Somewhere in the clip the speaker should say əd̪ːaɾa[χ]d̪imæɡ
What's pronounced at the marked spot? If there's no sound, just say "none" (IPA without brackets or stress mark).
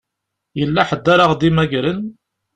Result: ʁ